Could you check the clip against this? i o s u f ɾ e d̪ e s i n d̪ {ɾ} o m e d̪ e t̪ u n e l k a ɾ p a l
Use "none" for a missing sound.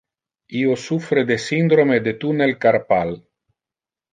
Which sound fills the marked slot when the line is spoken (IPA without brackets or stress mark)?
ɾ